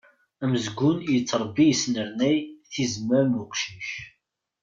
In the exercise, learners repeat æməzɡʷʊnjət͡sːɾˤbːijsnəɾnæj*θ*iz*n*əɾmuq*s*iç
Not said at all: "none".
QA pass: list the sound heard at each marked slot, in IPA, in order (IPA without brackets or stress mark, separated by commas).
θ, m, ʃ